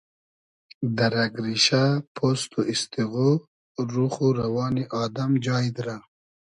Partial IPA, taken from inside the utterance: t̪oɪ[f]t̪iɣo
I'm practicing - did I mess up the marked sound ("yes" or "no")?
yes